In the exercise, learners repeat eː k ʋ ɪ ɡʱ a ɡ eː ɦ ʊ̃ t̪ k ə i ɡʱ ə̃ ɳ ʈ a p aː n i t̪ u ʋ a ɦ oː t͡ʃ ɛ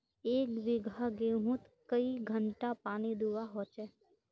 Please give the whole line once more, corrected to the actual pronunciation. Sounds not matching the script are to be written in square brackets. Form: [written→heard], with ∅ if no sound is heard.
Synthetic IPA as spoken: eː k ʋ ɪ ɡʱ a ɡ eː ɦ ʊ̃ t̪ k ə i ɡʱ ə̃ ɳ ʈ a p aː n i [t̪→d̪] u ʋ a ɦ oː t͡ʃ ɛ